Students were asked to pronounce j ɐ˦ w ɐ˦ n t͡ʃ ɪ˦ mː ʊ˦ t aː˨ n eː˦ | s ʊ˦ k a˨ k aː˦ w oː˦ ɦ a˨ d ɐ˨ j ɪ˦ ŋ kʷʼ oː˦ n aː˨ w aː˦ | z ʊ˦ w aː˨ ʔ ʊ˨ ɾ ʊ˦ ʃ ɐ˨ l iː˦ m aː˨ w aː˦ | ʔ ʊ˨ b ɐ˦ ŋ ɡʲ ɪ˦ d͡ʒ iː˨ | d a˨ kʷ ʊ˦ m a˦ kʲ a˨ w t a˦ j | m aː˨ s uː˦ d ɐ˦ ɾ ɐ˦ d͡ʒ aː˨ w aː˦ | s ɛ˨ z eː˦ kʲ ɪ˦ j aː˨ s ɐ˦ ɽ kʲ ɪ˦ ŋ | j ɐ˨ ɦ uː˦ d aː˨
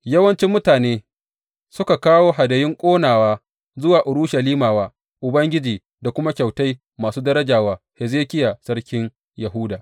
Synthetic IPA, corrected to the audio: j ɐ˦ w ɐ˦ n t͡ʃ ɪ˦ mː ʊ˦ t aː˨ n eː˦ | s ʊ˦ k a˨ k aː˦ w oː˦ ɦ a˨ d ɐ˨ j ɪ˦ ŋ kʷʼ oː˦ n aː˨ w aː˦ | z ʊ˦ w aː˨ ʔ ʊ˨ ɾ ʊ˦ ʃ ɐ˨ l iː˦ m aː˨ w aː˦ | ʔ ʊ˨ b ɐ˦ ŋ ɡʲ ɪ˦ d͡ʒ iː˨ | d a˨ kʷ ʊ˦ m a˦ kʲ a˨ w t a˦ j | m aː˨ s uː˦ d ɐ˦ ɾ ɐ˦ d͡ʒ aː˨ w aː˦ | h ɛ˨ z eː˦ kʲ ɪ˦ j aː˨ s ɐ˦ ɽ kʲ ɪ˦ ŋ | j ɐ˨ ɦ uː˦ d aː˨

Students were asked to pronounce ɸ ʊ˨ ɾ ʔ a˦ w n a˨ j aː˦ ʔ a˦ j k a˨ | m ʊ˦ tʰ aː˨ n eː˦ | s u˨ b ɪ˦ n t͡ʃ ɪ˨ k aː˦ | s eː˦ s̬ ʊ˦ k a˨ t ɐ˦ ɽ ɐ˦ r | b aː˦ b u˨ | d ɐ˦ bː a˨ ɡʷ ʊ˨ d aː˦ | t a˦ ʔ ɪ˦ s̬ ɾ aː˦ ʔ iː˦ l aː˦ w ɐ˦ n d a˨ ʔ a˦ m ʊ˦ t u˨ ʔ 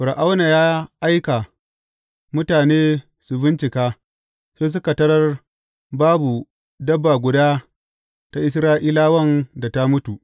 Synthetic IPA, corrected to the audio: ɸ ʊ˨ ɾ ʔ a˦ w n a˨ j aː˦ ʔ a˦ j k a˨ | m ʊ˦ t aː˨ n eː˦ | s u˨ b ɪ˦ n t͡ʃ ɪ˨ k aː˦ | s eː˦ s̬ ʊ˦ k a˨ t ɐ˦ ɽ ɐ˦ r | b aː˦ b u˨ | d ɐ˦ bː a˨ ɡʷ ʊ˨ d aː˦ | t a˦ ʔ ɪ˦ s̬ ɾ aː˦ ʔ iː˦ l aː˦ w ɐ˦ n d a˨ t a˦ m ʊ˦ t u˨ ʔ

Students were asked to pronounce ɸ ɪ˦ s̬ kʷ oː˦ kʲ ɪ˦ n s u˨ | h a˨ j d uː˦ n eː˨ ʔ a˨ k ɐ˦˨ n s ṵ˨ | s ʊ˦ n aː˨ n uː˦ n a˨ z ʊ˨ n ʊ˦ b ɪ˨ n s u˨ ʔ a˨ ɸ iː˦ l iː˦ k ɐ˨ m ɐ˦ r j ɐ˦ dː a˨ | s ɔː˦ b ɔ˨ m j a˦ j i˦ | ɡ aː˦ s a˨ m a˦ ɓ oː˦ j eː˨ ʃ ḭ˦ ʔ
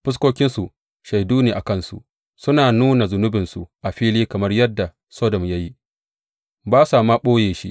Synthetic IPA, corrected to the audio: ɸ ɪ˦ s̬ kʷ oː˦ kʲ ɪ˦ n s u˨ | ʃ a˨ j d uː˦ n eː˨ ʔ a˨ k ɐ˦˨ n s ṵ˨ | s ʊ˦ n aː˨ n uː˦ n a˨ z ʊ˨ n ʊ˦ b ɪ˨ n s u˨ ʔ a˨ ɸ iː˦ l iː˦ k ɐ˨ m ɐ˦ r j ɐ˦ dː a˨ | s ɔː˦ d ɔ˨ m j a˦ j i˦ | b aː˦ s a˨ m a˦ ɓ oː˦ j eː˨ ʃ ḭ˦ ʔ

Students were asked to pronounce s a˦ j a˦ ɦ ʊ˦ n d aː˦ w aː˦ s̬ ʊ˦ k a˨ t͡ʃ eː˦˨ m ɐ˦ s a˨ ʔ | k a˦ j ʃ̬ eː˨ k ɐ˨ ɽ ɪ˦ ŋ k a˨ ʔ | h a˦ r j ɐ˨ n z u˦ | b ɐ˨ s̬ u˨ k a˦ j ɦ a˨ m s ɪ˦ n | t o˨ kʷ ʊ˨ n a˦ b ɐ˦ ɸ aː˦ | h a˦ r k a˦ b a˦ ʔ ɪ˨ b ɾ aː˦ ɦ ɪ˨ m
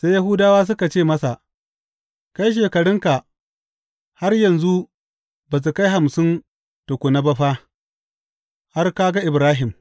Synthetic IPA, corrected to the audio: s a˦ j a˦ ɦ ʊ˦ d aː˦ w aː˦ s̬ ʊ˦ k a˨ t͡ʃ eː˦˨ m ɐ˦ s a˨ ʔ | k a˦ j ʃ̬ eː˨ k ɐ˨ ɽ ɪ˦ ŋ k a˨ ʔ | h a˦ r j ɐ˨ n z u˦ | b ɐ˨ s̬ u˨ k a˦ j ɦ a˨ m s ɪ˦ n | t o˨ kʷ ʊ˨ n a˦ b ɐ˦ ɸ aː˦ | h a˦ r k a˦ ɡ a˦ ʔ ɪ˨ b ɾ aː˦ ɦ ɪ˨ m

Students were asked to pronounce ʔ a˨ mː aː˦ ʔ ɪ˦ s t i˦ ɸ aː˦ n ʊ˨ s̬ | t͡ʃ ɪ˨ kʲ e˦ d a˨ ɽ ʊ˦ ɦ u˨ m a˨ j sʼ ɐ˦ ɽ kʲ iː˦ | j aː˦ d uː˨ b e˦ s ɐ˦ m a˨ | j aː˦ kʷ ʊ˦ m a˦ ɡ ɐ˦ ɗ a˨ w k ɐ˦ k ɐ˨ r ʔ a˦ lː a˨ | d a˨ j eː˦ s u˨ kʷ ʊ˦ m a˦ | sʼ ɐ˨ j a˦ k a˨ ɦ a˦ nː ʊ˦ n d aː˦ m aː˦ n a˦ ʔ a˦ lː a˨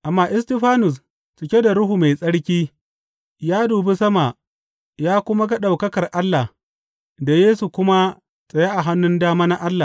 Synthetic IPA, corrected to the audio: ʔ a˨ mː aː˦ ʔ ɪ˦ s t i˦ ɸ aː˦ n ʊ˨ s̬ | t͡ʃ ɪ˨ kʲ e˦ d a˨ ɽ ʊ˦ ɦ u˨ m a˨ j sʼ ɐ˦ ɽ kʲ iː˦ | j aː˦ d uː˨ b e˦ s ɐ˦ m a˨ | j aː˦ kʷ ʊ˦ m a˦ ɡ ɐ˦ ɗ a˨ w k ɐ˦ k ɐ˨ r ʔ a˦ lː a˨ | d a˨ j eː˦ s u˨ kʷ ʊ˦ m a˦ | sʼ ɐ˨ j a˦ ʔ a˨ ɦ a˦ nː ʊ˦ n d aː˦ m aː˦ n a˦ ʔ a˦ lː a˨

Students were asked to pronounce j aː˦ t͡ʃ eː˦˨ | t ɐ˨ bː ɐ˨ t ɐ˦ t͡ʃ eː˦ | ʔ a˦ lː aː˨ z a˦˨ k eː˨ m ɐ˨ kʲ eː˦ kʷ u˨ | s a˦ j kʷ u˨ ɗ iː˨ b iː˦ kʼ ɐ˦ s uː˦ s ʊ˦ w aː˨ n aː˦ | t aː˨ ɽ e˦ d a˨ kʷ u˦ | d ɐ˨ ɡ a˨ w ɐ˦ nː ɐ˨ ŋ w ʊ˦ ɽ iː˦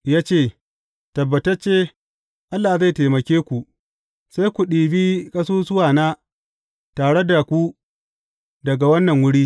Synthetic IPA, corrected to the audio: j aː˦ t͡ʃ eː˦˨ | t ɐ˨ bː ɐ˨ t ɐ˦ t͡ʃ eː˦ | ʔ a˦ lː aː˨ z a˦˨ t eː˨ m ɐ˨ kʲ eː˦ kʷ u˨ | s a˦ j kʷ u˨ ɗ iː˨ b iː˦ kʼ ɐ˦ s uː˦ s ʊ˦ w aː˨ n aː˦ | t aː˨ ɽ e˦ d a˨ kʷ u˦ | d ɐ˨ ɡ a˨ w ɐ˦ nː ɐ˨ ŋ w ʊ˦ ɽ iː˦

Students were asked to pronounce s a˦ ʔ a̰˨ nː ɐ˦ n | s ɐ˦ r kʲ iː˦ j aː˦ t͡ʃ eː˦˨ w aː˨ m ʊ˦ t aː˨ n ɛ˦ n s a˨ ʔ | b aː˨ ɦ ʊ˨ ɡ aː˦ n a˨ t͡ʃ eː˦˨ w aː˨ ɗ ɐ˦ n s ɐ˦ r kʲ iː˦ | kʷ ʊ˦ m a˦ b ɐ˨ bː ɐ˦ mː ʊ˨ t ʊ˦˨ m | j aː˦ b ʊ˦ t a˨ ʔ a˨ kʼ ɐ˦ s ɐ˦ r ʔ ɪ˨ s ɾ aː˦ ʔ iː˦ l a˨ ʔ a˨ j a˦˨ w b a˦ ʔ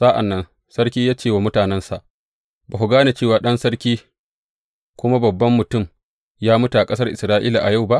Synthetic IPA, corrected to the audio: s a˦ ʔ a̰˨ nː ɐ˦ n | s ɐ˦ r kʲ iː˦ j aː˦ t͡ʃ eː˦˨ w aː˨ m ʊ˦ t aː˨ n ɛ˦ n s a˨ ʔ | b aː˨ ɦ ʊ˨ ɡ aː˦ n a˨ t͡ʃ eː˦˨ w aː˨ ɗ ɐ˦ n s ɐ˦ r kʲ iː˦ | kʷ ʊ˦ m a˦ b ɐ˨ bː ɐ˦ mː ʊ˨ t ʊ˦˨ m | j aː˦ m ʊ˦ t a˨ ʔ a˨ kʼ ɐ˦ s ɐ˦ r ʔ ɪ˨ s ɾ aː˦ ʔ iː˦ l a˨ ʔ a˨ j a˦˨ w b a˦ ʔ

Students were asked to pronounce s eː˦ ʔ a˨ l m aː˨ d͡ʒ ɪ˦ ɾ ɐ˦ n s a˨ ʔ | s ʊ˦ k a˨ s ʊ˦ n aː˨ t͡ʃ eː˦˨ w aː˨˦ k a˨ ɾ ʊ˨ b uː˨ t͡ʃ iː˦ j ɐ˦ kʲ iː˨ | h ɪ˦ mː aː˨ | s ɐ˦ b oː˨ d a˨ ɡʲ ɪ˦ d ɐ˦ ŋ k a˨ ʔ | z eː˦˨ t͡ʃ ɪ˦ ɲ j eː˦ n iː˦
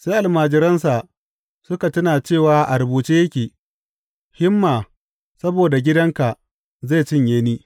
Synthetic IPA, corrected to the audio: s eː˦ ʔ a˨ l m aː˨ d͡ʒ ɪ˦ ɾ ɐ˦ n s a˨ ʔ | s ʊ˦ k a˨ t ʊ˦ n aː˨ t͡ʃ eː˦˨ w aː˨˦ ʔ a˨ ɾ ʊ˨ b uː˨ t͡ʃ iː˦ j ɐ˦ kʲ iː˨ | h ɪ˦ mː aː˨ | s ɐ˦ b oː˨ d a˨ ɡʲ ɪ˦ d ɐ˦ ŋ k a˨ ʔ | z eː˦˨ t͡ʃ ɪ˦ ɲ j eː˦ n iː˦

